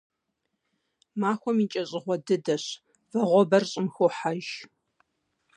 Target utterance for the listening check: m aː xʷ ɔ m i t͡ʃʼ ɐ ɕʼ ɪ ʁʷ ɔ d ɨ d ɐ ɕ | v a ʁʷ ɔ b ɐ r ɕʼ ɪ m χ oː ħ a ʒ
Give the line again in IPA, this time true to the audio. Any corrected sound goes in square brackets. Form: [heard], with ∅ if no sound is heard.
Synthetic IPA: m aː xʷ ɔ m i t͡ʃʼ ɐ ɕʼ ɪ ʁʷ ɔ d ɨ d ɐ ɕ | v [ɐ] ʁʷ ɔ b ɐ r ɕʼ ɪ m [x] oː ħ a ʒ